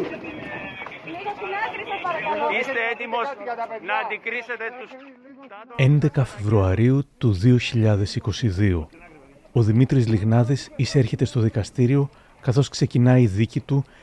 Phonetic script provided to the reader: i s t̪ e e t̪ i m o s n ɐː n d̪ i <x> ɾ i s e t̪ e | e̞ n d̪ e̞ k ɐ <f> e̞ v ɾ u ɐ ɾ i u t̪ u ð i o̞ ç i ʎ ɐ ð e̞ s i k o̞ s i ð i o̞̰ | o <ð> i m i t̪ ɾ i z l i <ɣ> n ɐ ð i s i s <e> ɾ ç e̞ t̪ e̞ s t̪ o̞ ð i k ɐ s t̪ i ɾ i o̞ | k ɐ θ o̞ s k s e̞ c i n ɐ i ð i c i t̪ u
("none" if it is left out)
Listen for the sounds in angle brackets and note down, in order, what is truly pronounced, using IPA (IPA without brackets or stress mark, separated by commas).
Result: k, f, ð, ɣ, e